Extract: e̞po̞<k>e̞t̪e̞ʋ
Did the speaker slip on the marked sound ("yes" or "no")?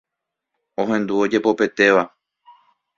yes